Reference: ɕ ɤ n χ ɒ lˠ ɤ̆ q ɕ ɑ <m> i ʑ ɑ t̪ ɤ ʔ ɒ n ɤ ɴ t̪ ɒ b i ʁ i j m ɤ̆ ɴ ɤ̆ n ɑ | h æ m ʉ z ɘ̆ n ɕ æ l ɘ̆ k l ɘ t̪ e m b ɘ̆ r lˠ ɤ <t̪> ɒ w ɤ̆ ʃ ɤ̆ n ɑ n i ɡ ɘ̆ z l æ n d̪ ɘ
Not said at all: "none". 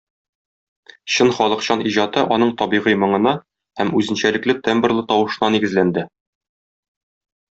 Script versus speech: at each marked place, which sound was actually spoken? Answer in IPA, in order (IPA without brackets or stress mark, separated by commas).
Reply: n, t̪